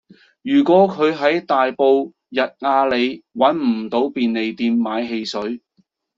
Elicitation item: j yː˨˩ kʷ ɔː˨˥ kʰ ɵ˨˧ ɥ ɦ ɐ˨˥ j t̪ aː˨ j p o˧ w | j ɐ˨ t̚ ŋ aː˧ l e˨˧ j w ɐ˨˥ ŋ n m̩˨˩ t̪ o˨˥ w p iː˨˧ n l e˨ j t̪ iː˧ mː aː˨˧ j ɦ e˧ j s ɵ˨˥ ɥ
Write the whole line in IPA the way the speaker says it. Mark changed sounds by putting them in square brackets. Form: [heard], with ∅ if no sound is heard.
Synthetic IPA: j yː˨˩ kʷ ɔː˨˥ kʰ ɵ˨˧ ɥ ɦ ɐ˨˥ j t̪ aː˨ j p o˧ w | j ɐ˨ t̚ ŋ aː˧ l e˨˧ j w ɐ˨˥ [∅] n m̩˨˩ t̪ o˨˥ w p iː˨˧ n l e˨ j t̪ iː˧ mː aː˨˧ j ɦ e˧ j s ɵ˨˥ ɥ